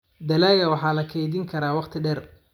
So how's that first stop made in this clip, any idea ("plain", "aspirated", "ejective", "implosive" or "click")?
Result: plain